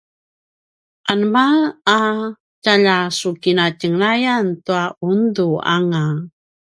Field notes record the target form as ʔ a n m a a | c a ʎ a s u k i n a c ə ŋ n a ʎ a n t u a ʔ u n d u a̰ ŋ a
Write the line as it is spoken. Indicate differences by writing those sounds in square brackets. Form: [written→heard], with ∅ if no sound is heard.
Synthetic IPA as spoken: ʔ a n m a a | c a ʎ a s u k i n a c ə ŋ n a [ʎ→j] a n t u a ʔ u n d u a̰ ŋ a